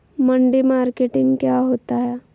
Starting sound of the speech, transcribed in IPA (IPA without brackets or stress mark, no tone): m